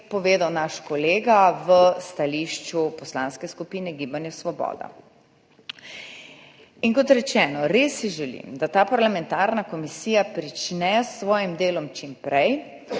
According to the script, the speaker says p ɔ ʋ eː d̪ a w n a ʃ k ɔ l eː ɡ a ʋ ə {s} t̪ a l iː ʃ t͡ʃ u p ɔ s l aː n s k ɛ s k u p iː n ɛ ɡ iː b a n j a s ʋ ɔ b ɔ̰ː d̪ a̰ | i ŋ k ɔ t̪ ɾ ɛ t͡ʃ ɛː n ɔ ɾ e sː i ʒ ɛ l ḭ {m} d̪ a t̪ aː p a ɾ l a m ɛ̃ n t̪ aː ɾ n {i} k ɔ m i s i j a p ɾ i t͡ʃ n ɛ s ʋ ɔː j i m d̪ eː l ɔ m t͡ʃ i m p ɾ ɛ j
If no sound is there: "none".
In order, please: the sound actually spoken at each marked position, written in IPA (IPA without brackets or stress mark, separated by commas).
s, m, a